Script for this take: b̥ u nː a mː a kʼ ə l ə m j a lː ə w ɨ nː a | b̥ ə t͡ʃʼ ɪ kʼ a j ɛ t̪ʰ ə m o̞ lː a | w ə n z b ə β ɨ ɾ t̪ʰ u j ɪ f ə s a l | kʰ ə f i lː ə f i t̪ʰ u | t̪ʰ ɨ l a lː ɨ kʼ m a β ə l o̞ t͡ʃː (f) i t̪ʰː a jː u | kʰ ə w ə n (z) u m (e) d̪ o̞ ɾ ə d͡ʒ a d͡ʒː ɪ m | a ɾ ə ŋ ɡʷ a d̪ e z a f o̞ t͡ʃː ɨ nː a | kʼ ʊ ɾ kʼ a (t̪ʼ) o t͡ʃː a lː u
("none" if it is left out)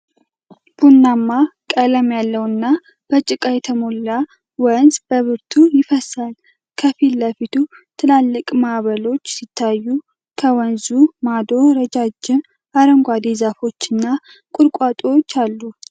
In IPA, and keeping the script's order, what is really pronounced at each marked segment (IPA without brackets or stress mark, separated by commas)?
s, z, a, t̪ʼ